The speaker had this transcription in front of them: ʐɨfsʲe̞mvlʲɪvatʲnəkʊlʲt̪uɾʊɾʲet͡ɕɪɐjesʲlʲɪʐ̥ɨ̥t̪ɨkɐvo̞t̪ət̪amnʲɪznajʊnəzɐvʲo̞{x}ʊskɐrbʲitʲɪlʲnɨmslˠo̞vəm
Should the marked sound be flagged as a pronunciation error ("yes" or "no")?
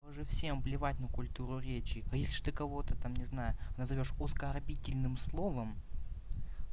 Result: yes